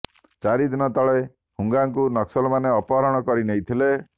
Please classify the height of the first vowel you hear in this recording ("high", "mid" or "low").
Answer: low